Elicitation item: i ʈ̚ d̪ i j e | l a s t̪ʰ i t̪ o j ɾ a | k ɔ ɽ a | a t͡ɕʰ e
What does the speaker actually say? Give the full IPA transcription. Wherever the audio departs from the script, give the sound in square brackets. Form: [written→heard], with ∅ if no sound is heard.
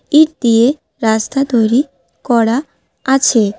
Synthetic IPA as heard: i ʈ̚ d̪ i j e | [l→ɾ] a s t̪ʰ [i→a] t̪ o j ɾ [a→i] | k ɔ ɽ a | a t͡ɕʰ e